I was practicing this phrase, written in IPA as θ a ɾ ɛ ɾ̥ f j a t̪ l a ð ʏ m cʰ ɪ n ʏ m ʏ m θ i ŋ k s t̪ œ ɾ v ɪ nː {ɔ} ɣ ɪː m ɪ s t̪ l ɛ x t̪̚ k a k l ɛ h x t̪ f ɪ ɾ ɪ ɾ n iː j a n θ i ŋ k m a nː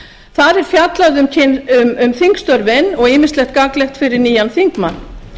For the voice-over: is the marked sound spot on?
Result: yes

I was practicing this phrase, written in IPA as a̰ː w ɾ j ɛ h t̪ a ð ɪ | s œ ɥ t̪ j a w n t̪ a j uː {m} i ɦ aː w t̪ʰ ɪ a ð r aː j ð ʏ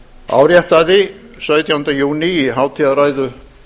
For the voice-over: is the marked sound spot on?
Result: no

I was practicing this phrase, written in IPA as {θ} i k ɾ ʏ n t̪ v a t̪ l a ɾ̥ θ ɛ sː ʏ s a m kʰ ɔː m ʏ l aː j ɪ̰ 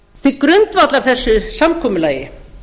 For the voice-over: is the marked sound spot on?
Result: yes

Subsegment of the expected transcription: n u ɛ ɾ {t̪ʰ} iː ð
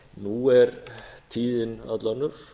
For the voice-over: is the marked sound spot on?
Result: yes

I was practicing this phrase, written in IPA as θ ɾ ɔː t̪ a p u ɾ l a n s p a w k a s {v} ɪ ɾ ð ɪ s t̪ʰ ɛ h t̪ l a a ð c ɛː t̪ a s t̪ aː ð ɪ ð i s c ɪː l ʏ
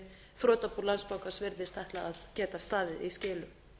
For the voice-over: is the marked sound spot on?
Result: yes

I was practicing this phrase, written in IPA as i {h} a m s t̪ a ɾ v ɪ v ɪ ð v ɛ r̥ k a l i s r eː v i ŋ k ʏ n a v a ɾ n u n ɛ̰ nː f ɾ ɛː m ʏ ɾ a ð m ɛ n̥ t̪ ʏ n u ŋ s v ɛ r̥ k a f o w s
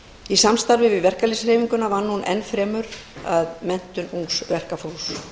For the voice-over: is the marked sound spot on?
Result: no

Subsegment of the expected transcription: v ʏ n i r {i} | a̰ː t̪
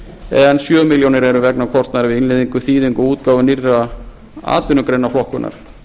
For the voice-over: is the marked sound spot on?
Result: no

